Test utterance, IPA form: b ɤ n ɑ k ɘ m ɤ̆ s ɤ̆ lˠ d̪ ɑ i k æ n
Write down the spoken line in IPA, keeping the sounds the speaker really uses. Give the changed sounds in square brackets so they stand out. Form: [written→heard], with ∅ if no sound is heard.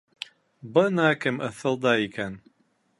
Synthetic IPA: b ɤ n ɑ k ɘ m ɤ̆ [s→θ] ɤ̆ lˠ d̪ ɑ i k æ n